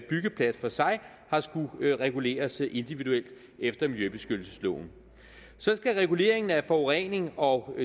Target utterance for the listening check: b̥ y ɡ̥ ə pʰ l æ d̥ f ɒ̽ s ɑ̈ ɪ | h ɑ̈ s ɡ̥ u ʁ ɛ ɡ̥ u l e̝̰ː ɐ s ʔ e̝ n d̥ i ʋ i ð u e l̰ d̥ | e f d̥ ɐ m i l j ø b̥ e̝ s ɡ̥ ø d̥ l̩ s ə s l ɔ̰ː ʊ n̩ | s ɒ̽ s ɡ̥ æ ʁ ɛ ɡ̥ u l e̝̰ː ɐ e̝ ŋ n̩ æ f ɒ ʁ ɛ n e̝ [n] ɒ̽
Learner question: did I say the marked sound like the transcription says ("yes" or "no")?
no